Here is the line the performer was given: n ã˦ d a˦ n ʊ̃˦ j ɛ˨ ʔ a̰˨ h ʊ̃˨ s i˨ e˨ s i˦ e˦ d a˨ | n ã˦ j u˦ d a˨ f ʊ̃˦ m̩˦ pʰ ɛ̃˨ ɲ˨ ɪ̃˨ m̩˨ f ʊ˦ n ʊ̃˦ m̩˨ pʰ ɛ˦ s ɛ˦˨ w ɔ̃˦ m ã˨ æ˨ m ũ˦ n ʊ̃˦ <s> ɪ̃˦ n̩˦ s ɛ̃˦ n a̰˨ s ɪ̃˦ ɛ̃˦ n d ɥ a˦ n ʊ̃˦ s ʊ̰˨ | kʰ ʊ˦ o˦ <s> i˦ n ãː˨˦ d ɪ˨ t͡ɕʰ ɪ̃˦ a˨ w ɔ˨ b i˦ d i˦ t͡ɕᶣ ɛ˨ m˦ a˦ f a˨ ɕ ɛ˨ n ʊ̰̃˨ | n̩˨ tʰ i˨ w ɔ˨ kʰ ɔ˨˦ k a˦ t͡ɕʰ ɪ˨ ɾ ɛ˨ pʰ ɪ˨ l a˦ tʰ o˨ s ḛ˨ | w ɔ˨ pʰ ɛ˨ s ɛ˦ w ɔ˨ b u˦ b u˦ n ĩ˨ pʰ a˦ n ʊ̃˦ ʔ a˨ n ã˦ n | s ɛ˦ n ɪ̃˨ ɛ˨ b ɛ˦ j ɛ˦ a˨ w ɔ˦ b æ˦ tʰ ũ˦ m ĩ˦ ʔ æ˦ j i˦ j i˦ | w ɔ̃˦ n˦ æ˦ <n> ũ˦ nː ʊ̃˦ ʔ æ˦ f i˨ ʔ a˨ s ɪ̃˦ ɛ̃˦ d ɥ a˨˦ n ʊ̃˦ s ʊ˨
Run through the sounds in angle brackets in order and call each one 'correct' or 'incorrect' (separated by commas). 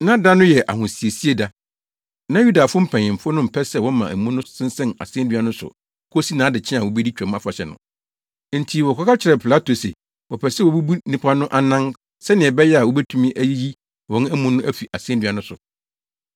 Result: correct, correct, incorrect